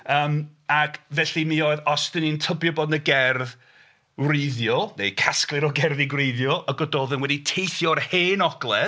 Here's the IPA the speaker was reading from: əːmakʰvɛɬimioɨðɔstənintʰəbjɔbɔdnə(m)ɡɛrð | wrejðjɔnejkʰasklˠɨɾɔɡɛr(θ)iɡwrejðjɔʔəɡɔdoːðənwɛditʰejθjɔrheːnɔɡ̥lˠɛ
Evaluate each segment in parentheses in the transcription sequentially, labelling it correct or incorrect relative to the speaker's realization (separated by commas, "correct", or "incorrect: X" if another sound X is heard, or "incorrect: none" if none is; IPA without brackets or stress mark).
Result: incorrect: none, incorrect: ð